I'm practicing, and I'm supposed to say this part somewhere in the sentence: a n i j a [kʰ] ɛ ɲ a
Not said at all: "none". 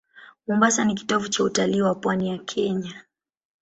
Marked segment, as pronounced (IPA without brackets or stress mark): kʰ